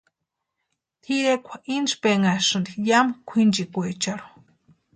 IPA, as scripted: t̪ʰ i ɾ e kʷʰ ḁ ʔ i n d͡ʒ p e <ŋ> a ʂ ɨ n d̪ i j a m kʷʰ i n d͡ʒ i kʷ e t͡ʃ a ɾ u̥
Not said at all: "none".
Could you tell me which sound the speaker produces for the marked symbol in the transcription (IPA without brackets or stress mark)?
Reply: ŋ